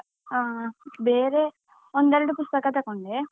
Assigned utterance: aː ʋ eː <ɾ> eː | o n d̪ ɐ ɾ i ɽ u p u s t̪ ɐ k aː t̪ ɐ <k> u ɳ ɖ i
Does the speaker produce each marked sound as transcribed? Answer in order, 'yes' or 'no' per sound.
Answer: yes, yes

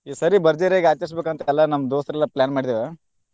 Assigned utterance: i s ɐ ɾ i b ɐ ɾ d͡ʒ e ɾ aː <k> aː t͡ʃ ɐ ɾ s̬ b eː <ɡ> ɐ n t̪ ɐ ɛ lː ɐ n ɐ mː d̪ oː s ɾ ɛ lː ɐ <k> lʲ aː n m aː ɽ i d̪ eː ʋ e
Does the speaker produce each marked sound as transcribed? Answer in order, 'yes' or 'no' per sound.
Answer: no, no, no

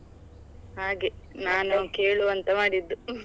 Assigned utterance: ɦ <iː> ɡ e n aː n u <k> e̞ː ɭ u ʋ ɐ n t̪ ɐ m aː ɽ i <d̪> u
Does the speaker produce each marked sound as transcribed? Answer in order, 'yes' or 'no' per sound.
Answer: no, yes, no

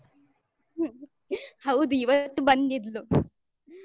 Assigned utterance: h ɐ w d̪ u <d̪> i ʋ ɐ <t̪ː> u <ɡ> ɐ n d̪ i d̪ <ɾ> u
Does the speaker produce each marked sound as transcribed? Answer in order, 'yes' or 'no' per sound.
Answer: no, yes, no, no

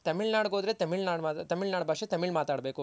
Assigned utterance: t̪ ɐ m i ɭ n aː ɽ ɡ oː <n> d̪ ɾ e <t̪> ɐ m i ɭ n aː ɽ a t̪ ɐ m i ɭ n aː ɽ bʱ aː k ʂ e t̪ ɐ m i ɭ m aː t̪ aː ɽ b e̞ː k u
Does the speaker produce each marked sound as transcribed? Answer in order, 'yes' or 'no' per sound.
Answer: no, yes

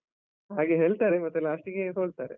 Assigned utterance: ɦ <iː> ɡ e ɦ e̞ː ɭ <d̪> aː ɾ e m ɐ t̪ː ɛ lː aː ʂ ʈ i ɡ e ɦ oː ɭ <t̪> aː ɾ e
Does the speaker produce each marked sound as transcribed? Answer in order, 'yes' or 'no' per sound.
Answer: no, no, yes

